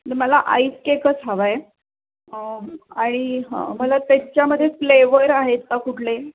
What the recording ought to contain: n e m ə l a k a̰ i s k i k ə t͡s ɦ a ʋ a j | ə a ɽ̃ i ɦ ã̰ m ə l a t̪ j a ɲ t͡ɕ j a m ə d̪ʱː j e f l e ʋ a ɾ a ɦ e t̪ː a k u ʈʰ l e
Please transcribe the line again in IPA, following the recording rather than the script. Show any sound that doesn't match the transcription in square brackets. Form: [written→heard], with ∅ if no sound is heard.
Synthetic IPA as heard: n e m ə l a [k→ʔ] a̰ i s k [i→e] k ə t͡s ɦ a ʋ a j | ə a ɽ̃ i ɦ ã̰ m ə l a t̪ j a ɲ t͡ɕ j a m ə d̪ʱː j e f l e ʋ [a→ə] ɾ a ɦ e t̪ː a k u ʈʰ l e